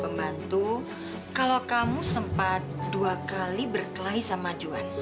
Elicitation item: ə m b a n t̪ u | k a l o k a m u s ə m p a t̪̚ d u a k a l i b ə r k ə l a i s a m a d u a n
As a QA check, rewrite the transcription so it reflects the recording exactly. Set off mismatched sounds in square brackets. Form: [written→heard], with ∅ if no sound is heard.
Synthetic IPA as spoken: ə m b a n t̪ u | k a l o k a m u s ə m p a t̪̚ d u a k a l i b ə r k ə l a i s a m a [d→d͡ʒ] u a n